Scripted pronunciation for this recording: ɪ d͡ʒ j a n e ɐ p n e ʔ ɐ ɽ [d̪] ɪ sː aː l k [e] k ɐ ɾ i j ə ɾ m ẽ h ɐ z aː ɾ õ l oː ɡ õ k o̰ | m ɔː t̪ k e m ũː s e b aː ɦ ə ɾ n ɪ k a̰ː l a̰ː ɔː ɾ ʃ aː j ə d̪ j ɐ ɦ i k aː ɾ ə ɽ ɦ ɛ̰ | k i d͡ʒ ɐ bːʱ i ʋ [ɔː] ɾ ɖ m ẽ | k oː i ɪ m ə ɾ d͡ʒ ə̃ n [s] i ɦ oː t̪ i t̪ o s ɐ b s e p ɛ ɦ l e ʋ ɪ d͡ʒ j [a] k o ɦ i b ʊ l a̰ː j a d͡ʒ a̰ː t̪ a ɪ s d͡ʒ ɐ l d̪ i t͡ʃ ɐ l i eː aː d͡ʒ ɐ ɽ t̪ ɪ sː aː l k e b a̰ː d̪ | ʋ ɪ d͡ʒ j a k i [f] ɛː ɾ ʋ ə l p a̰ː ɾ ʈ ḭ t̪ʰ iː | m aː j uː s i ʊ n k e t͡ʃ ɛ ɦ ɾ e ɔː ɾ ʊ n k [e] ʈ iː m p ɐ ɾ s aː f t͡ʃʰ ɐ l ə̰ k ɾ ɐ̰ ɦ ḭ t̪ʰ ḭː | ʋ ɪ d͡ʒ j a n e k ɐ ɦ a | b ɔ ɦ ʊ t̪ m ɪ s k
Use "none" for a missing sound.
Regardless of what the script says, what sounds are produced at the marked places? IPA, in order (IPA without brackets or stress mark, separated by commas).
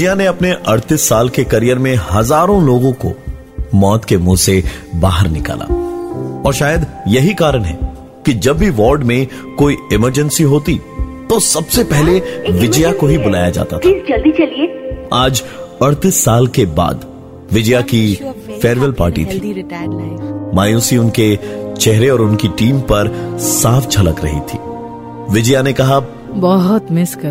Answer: t̪, e, ɔː, s, a, f, i